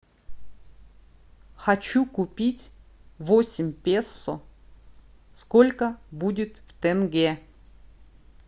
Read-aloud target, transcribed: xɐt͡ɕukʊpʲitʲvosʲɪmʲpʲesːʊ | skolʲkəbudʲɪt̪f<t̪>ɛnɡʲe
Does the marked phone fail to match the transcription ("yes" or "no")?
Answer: no